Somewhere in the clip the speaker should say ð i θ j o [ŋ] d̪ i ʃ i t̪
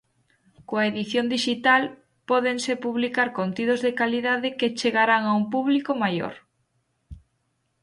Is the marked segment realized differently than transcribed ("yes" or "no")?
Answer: yes